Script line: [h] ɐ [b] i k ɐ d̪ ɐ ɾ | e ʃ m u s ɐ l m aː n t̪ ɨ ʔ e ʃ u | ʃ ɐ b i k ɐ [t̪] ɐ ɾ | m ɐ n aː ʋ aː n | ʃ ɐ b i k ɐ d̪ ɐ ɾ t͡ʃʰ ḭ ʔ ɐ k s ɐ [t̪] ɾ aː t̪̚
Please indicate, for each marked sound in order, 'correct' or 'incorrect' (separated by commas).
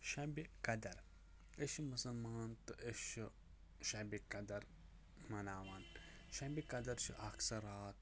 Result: incorrect, correct, incorrect, incorrect